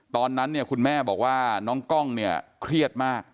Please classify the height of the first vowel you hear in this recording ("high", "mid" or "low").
mid